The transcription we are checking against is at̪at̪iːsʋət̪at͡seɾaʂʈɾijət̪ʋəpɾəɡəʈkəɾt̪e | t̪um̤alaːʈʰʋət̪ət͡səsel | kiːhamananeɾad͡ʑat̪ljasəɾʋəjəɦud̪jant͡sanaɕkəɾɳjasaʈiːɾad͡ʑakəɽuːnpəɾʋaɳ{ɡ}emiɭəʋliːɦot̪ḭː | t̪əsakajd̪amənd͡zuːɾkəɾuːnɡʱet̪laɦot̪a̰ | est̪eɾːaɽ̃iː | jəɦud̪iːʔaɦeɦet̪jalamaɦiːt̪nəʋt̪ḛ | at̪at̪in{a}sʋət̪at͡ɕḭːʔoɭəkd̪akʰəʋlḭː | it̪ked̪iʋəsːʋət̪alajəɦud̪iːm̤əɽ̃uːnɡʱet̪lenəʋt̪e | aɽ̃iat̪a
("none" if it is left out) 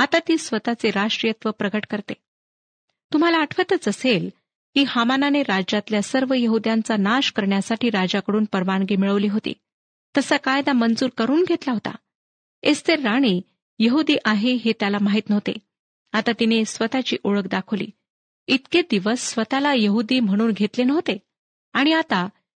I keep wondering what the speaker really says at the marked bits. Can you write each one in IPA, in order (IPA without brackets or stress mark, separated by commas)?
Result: ɡ, e